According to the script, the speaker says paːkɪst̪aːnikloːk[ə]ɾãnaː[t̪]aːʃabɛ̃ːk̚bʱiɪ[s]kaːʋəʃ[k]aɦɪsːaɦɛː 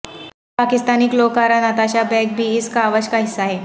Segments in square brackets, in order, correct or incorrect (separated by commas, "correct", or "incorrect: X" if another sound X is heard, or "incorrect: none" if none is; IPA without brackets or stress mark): incorrect: a, correct, correct, correct